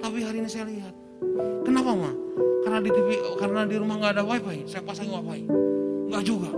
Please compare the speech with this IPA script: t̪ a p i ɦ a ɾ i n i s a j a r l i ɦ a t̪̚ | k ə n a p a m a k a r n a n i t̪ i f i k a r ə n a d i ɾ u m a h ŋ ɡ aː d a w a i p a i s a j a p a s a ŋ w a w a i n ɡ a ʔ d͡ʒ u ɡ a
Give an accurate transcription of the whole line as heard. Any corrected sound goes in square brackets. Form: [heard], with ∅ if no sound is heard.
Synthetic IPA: t̪ a p i ɦ a ɾ i n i s a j a [∅] l i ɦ a t̪̚ | k ə n a p a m a k a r n a [d] i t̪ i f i k a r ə n a d i ɾ u m a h ŋ ɡ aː d a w a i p a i s a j a p a s a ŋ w a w a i [ŋ] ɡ a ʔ d͡ʒ u ɡ a